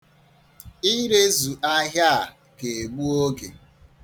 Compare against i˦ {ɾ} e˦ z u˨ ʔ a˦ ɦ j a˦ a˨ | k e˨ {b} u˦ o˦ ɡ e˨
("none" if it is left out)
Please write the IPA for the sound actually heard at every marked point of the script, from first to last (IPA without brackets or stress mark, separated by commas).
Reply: ɾ, ɡ͡b